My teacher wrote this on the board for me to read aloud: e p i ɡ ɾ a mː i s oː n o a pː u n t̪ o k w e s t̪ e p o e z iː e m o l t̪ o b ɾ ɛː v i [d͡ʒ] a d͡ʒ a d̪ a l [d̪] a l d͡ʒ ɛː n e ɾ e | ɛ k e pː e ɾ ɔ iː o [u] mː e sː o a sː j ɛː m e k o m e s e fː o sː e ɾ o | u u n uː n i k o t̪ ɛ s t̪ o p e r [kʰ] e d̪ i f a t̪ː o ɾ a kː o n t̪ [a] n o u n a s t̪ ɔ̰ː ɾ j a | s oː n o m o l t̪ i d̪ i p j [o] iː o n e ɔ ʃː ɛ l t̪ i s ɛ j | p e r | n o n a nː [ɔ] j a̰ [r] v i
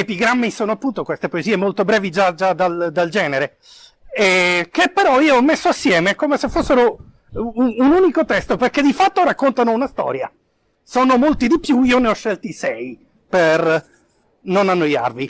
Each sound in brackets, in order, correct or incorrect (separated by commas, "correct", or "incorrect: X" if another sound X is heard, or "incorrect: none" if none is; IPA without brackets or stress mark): correct, correct, incorrect: ɔ, incorrect: k, correct, incorrect: u, incorrect: o, correct